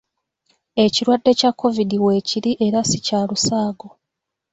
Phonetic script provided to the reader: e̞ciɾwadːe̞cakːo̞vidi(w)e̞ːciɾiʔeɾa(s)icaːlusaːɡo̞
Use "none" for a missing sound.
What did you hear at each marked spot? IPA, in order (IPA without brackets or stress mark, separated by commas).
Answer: w, s